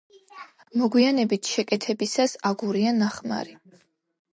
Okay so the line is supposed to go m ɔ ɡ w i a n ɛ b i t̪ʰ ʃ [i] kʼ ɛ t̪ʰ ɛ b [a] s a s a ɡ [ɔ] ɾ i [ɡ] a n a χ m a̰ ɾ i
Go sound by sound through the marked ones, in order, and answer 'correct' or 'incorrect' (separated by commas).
incorrect, incorrect, incorrect, incorrect